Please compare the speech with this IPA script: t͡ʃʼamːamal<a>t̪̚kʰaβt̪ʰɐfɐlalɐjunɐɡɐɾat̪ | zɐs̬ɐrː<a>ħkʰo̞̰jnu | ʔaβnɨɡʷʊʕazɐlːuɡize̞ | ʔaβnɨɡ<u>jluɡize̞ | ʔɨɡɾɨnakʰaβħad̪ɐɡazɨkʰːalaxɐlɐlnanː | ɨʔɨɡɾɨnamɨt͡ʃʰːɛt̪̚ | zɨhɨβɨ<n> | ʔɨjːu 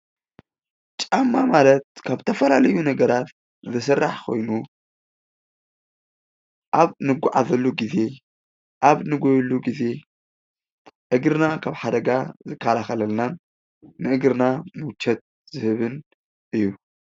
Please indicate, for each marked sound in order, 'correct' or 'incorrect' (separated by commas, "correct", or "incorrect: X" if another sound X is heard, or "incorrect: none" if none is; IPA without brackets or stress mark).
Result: incorrect: ɐ, correct, incorrect: o, correct